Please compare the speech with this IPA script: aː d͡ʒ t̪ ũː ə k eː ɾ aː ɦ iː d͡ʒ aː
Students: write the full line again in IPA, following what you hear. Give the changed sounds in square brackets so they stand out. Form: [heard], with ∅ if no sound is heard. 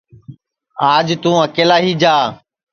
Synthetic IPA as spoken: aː d͡ʒ t̪ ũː ə k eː [l] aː ɦ iː d͡ʒ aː